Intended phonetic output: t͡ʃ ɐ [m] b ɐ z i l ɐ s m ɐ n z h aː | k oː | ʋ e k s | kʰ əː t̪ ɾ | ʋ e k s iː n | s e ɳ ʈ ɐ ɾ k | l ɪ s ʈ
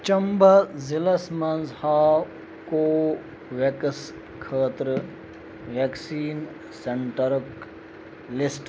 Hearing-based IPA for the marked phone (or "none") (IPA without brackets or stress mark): m